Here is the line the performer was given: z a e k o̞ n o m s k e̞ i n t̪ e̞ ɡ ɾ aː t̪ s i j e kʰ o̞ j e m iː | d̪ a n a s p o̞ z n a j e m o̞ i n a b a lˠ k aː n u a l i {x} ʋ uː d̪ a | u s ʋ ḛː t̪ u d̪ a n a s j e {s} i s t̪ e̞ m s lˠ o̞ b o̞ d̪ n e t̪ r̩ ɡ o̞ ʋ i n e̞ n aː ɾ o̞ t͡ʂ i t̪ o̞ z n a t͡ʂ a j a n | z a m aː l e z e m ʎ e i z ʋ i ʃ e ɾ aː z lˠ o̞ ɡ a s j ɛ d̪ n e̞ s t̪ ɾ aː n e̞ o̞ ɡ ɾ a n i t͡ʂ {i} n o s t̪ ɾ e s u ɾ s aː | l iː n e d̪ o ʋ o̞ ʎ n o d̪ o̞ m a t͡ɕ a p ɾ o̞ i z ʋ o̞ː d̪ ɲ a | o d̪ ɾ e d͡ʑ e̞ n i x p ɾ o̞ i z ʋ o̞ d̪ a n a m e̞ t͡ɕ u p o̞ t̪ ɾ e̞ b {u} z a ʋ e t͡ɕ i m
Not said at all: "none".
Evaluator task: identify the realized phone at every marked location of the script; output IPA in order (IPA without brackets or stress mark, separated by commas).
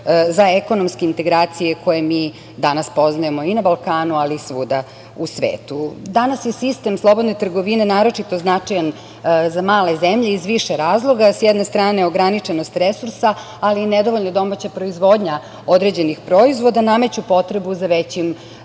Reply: s, s, e, u